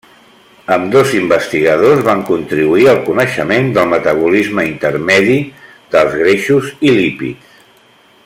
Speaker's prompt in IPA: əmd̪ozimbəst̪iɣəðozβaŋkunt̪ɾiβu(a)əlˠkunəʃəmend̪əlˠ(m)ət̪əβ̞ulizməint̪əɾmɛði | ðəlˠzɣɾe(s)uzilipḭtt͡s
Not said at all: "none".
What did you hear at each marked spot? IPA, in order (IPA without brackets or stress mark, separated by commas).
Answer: i, m, ʃ